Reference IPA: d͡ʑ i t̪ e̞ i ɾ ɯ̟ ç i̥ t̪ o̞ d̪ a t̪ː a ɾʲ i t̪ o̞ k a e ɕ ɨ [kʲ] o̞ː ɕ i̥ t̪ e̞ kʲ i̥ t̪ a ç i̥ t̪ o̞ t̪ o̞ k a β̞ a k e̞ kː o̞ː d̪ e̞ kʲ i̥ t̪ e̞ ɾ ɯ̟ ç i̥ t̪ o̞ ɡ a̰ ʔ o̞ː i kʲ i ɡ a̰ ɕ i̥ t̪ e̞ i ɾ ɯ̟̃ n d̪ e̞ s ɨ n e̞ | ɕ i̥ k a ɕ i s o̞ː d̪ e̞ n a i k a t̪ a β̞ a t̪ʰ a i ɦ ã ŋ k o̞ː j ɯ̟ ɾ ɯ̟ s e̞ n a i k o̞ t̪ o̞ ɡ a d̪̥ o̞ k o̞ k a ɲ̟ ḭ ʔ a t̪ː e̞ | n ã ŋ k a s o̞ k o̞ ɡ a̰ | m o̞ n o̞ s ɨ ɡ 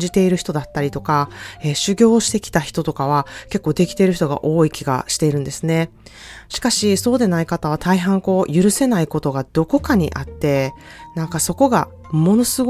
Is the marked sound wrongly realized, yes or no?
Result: yes